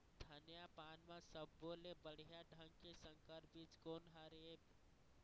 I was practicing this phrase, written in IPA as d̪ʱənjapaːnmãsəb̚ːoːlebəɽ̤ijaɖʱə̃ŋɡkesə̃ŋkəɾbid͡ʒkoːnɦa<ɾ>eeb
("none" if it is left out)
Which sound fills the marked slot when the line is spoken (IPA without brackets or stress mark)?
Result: ɾ